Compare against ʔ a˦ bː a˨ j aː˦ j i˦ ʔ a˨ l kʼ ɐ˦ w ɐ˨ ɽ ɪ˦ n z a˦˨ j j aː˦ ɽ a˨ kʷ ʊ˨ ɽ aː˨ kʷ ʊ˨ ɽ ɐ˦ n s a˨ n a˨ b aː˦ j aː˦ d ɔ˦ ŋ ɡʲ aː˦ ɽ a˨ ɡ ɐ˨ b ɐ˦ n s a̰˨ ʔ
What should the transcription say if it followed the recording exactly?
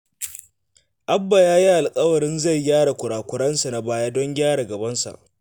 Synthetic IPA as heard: ʔ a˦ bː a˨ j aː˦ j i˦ ʔ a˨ l kʼ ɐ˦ w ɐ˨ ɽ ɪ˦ n z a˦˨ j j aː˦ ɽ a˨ kʷ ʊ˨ ɽ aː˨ kʷ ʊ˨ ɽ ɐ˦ n s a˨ n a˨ b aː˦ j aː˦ d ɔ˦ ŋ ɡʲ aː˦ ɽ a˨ ɡ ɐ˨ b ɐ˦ n s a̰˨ ʔ